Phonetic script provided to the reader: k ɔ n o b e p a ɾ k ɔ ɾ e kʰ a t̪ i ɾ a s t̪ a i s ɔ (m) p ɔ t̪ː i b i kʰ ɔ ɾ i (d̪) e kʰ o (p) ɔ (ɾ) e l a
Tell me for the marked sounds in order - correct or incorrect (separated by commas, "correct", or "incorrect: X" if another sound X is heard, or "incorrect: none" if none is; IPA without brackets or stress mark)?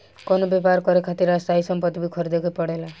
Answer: correct, correct, correct, incorrect: ɽ